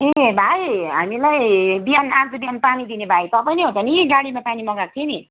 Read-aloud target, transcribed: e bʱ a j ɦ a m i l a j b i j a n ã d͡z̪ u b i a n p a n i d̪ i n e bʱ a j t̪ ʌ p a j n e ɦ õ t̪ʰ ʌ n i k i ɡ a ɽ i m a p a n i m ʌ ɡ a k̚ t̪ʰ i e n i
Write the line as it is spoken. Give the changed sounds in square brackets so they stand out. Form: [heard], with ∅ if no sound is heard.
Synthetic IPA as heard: e bʱ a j ɦ a m i l a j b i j a n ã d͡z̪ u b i a n p a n i d̪ i n e bʱ a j t̪ ʌ p a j n e ɦ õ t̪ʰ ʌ n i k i ɡ a ɽ i m a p a n i m ʌ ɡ a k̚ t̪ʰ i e n i

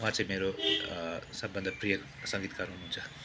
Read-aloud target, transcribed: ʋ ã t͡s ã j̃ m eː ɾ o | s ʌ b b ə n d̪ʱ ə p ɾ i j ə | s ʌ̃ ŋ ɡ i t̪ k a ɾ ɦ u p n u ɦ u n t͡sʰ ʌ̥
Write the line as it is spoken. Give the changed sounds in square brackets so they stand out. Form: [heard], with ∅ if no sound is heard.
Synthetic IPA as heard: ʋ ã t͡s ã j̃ m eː ɾ o | s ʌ b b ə n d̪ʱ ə p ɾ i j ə | s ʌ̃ ŋ ɡ i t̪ k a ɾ ɦ u [∅] n u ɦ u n t͡sʰ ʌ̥

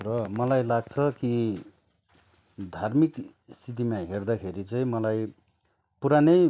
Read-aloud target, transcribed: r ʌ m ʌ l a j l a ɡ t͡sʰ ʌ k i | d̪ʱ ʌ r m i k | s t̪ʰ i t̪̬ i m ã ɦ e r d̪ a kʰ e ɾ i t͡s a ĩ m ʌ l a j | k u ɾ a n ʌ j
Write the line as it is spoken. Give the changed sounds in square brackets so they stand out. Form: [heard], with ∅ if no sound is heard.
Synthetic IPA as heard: r ʌ m ʌ l a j l a ɡ t͡sʰ ʌ k i | d̪ʱ [a] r m i k | s t̪ʰ i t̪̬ i m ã ɦ e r d̪ a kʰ e ɾ i t͡s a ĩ m ʌ l a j | [p] u ɾ a n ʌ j

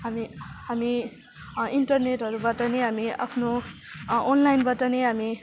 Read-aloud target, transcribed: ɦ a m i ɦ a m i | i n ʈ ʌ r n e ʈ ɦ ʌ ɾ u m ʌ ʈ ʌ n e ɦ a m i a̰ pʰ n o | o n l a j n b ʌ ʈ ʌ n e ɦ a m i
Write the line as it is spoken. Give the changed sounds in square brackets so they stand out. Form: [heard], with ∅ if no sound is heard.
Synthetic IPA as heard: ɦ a m i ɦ a m i | i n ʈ ʌ r n e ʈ ɦ ʌ ɾ u [b] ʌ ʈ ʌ n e ɦ a m i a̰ pʰ n o | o n l a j n b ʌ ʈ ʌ n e ɦ a m i

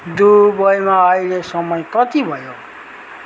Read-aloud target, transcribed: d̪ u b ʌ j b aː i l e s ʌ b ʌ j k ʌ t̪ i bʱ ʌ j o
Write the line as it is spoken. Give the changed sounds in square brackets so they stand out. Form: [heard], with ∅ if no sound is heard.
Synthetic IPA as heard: d̪ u b ʌ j [m] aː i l e s ʌ [m] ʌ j k ʌ t̪ i bʱ ʌ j o

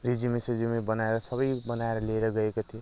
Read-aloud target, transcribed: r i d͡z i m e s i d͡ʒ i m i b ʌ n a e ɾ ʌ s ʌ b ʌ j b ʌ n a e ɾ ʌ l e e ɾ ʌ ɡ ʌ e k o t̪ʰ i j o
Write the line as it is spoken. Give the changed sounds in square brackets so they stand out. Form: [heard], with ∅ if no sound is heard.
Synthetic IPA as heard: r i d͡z i m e s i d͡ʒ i m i b ʌ n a e ɾ ʌ s ʌ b ʌ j b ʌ n a e ɾ ʌ l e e ɾ ʌ ɡ ʌ e k o t̪ʰ i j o

